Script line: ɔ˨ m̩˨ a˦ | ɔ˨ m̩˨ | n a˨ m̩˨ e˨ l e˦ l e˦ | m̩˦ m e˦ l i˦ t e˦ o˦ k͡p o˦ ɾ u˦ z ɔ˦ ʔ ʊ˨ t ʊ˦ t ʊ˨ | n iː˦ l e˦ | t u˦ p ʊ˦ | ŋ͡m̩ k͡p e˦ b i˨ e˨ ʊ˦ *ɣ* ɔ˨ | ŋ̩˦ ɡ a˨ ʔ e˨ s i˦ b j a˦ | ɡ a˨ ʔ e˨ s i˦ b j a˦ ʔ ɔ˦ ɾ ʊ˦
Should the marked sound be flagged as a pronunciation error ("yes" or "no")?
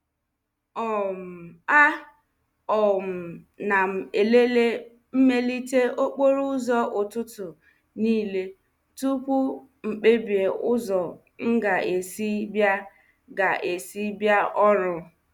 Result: yes